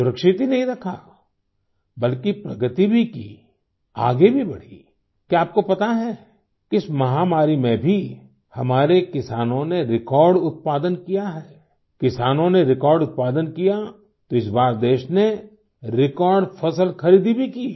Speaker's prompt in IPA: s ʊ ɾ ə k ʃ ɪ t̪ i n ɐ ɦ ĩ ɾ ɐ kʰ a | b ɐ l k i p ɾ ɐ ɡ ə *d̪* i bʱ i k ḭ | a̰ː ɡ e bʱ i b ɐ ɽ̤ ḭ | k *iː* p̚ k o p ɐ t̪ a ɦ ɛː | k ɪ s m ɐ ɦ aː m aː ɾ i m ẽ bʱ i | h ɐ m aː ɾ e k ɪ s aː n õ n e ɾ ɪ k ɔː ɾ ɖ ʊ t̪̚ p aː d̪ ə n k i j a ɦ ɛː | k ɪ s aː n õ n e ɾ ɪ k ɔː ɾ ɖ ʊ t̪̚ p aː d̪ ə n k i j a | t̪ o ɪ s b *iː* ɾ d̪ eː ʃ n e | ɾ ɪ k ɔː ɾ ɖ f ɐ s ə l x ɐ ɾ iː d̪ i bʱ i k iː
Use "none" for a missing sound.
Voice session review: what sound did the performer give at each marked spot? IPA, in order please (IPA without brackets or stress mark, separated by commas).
t̪, aː, aː